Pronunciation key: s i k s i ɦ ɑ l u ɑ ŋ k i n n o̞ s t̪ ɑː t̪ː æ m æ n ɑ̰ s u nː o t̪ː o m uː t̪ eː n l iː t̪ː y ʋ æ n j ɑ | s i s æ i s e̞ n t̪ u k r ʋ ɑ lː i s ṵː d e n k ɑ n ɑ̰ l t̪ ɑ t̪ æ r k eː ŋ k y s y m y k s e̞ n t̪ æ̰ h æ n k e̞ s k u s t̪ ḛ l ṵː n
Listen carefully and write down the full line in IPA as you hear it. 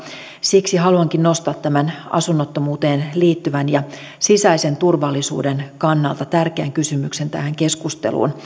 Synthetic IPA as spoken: s i k s i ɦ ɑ l u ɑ ŋ k i n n o̞ s t̪ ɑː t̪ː æ m æ n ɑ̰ s u nː o t̪ː o m uː t̪ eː n l iː t̪ː y ʋ æ n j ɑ | s i s æ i s e̞ n t̪ u r ʋ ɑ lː i s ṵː d e n k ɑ nː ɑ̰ l t̪ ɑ t̪ æ r k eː ŋ k y s y m y k s e̞ n t̪ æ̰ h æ ŋ k e̞ s k u s t̪ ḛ l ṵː n